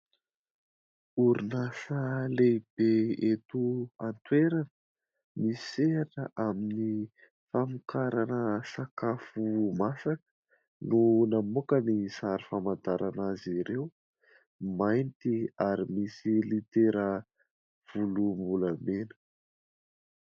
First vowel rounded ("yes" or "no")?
yes